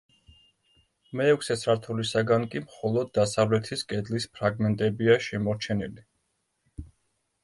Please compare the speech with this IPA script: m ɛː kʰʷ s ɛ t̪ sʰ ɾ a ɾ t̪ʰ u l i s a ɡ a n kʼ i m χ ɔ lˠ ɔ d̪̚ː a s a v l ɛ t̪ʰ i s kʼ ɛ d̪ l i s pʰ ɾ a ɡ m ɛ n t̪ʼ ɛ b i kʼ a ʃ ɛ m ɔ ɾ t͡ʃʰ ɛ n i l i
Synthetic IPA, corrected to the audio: m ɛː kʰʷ s ɛ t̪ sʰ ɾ a ɾ t̪ʰ u l i s a ɡ a n kʼ i m χ ɔ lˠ ɔ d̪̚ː a s a v l ɛ t̪ʰ i s kʼ ɛ d̪ l i s pʰ ɾ a ɡ m ɛ n t̪ʼ ɛ b i a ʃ ɛ m ɔ ɾ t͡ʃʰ ɛ n i l i